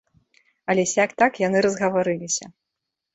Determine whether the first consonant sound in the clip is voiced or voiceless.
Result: voiced